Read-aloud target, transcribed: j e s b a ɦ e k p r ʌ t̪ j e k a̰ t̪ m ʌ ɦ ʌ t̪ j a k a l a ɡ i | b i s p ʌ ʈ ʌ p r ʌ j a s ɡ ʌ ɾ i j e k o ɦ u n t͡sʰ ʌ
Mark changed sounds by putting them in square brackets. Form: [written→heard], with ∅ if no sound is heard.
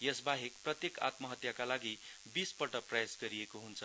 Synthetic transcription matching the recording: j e s b a ɦ e k p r ʌ t̪ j e k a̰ t̪ m ʌ ɦ ʌ t̪ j a k a l a ɡ i | b i s p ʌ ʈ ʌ p r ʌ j a s ɡ ʌ ɾ i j e k o ɦ u n t͡sʰ ʌ